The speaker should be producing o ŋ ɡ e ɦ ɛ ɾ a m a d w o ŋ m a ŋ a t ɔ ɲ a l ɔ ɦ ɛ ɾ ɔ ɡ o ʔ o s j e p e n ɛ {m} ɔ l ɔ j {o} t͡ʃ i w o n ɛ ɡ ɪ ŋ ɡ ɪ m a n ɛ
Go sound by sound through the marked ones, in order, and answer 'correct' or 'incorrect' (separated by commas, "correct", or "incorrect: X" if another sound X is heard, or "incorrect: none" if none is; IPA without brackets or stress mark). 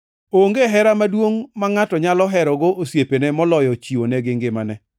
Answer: correct, incorrect: ɔ